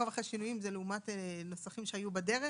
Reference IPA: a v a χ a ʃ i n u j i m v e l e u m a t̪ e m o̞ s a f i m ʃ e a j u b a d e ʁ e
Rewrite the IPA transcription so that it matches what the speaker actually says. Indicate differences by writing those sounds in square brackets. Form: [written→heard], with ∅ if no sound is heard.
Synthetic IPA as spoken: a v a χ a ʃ i n u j i m [v→z] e l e u m a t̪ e [m→n] o̞ s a [f→χ] i m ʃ e a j u b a d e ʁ e

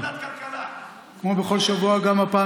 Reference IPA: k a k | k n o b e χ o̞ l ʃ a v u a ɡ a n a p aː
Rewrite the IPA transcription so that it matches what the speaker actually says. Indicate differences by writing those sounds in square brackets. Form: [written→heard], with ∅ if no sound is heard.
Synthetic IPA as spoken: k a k | k [n→m] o b e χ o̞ l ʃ a v u a ɡ a [n→m] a p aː

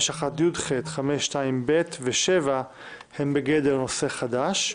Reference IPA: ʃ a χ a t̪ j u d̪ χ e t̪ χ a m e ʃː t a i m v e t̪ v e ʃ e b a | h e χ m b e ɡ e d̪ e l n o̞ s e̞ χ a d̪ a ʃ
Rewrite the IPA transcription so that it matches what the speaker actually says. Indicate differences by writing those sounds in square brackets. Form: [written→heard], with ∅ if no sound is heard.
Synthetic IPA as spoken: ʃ a χ a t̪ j u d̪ χ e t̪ χ a m e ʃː t a i m [v→b] e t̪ v e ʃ e [b→v] a | h e [χ→∅] m b e ɡ e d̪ e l n o̞ s e̞ χ a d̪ a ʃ

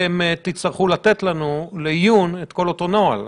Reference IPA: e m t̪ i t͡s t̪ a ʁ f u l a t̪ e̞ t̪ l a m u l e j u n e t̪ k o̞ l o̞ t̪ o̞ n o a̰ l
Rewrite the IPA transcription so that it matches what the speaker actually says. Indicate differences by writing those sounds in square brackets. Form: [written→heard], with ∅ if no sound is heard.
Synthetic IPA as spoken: e m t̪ i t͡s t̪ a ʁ [f→χ] u l a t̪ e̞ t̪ l a [m→n] u l e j u n e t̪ k o̞ l o̞ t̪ o̞ n o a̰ l

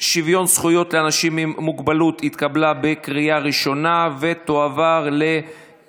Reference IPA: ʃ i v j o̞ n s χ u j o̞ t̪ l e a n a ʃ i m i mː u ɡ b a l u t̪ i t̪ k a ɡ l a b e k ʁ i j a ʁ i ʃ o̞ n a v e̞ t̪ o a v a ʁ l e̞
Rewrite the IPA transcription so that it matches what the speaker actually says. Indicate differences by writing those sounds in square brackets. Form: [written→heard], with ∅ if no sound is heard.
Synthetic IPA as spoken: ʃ i v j o̞ n s χ u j o̞ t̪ l e a n a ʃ i m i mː u ɡ b a l u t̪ i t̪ k a [ɡ→b] l a b e k ʁ i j a ʁ i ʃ o̞ n a v e̞ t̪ o a v a ʁ l e̞

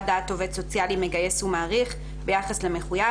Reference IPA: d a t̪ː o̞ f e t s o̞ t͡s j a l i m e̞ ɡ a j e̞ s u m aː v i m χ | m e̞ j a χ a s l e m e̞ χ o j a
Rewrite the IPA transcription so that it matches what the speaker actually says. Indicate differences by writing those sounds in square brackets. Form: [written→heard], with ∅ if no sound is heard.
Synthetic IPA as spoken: d a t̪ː o̞ [f→v] e t s o̞ t͡s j a l i m e̞ ɡ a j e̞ s u m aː [v→ʁ] i [m→∅] χ | [m→b] e̞ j a χ a s l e m e̞ χ [o→u] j a

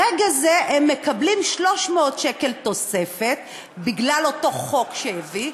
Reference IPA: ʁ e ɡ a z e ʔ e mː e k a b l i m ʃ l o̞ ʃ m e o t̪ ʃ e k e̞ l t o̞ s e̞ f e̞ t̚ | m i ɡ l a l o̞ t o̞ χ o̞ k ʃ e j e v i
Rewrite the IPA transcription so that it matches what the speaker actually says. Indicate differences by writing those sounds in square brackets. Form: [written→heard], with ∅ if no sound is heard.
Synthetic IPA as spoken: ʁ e ɡ a z e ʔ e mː e k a b l i m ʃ l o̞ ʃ m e o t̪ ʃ e k e̞ l t o̞ s e̞ f e̞ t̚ | [m→b] i ɡ l a l o̞ t o̞ χ o̞ k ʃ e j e v i

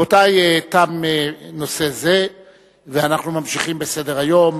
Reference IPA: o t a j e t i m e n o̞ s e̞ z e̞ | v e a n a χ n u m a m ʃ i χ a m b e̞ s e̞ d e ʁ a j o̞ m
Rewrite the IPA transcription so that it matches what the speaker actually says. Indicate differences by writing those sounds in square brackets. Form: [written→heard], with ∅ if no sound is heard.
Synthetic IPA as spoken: o t a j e t [i→a] m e n o̞ s e̞ z e̞ | v e a n a χ n u m a m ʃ i χ [a→i] m b e̞ s e̞ d e ʁ a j o̞ m

